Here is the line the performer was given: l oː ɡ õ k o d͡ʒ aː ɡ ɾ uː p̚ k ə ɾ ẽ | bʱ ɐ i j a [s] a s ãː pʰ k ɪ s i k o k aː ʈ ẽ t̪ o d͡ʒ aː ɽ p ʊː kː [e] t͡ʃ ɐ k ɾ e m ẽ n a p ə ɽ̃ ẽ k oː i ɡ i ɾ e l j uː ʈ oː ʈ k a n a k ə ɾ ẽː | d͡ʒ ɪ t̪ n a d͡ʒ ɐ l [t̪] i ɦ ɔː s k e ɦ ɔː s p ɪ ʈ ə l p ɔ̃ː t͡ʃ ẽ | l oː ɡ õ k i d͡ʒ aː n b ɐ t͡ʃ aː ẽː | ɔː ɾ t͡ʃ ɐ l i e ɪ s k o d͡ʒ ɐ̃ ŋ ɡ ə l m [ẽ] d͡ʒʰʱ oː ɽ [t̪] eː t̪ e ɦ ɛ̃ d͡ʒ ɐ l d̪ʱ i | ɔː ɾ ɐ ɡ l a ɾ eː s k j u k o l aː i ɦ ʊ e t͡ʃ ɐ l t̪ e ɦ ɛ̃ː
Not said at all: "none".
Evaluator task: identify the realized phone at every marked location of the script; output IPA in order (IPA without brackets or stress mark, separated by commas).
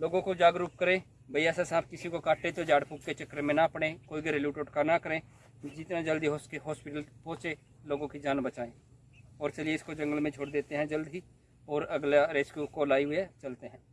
s, e, d̪, ẽ, d̪